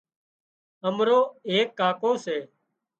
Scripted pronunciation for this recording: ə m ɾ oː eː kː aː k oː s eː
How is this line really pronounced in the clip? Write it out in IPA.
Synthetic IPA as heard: ə m ɾ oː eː kː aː k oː s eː